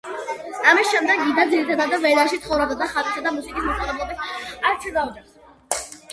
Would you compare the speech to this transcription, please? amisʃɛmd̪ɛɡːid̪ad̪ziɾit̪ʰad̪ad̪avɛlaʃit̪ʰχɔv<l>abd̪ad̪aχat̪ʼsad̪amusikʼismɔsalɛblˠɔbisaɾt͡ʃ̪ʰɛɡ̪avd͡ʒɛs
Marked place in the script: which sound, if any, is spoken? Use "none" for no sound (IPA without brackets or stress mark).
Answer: ɾ